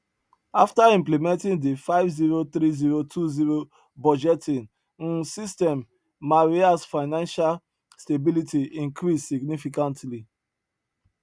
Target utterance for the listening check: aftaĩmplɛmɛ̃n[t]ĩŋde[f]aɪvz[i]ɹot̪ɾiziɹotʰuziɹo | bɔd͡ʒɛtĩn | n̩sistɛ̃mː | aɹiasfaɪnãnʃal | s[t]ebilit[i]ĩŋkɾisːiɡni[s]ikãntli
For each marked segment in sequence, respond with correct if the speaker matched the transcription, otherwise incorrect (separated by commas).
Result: correct, correct, correct, correct, correct, incorrect